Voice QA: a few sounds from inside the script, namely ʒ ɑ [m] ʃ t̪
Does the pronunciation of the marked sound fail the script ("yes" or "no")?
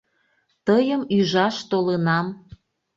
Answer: yes